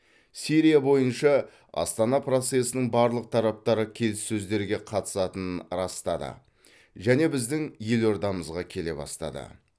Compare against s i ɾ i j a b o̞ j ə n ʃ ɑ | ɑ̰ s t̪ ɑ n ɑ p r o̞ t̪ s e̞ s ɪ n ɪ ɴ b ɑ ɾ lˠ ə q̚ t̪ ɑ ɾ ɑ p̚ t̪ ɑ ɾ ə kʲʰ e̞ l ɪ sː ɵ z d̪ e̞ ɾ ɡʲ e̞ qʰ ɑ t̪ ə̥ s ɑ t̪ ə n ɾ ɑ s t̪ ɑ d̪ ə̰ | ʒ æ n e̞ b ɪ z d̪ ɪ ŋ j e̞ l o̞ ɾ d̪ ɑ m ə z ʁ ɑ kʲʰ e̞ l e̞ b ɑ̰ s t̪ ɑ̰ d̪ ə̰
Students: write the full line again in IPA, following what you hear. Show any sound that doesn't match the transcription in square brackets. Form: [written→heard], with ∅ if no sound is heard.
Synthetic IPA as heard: s i ɾ i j a b o̞ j ə n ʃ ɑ | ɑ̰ s t̪ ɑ n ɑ p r o̞ t̪ s e̞ s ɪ n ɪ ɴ b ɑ ɾ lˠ ə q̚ [t̪→t̪ʰ] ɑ ɾ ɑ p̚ t̪ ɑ ɾ ə kʲʰ e̞ l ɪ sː ɵ z d̪ e̞ ɾ ɡʲ e̞ qʰ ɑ t̪ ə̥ s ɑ t̪ ə n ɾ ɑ s t̪ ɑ d̪ ə̰ | ʒ æ n e̞ b ɪ z d̪ ɪ ŋ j e̞ l o̞ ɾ d̪ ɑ m ə z ʁ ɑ kʲʰ e̞ l e̞ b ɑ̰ s t̪ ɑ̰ d̪ ə̰